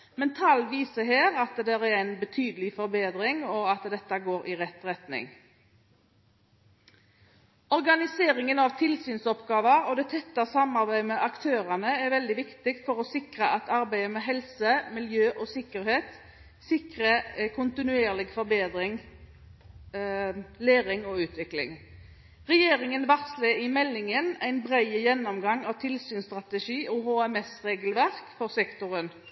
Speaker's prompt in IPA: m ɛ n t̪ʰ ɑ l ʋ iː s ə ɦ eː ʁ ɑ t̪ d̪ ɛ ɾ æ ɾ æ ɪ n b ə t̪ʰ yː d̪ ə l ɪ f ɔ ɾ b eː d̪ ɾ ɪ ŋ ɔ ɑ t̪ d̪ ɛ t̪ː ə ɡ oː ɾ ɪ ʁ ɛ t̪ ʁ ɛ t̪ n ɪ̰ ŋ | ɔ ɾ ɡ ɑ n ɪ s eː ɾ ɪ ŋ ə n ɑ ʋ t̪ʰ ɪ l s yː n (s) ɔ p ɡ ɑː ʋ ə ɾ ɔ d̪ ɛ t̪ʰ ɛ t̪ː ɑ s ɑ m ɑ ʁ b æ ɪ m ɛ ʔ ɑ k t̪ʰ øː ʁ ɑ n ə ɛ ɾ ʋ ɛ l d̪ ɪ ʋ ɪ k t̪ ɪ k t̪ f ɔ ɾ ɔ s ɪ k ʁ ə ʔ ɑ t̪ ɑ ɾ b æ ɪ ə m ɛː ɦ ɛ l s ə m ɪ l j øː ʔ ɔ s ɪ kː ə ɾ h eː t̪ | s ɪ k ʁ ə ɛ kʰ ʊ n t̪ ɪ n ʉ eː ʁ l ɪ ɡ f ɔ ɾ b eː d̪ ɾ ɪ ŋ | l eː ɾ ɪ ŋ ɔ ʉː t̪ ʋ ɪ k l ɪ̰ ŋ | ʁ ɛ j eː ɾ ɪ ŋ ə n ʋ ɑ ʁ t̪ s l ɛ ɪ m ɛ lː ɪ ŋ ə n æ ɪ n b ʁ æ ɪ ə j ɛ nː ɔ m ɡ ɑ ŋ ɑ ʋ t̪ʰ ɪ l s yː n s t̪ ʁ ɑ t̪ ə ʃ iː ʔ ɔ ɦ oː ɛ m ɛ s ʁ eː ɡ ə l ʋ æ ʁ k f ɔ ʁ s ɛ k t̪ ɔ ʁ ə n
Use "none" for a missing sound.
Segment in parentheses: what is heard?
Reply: s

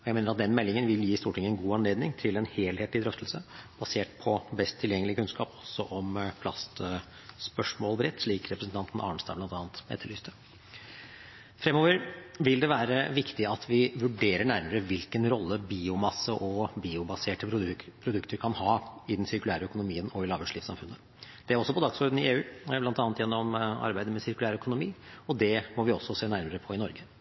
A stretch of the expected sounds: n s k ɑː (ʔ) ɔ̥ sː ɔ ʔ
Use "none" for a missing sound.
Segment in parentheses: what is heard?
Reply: p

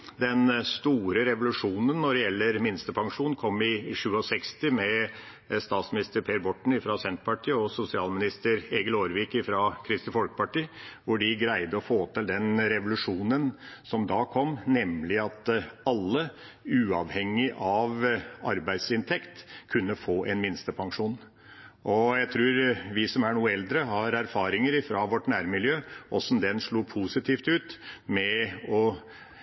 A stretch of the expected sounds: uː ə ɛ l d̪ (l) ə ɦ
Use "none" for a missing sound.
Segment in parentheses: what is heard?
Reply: ɾ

